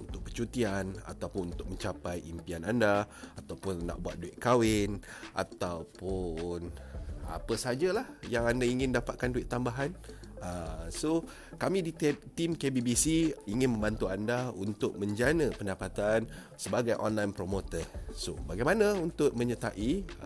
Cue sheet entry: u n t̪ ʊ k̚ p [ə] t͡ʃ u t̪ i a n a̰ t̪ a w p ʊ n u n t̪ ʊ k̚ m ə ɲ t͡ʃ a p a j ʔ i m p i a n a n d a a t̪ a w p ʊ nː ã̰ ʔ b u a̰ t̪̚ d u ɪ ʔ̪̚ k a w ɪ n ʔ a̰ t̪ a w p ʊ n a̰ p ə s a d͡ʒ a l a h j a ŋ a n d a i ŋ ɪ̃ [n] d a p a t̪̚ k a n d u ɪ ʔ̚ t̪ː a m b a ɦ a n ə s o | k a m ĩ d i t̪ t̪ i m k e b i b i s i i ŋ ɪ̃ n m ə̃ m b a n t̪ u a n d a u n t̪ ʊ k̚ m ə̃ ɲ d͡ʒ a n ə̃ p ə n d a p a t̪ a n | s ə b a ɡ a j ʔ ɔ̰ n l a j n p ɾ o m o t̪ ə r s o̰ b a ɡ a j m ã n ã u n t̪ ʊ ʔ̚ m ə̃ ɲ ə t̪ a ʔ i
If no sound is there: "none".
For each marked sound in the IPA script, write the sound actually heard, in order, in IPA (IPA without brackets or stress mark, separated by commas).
ə, n